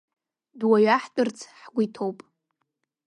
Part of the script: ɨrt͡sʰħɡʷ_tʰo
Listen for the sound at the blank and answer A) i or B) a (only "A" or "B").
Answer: A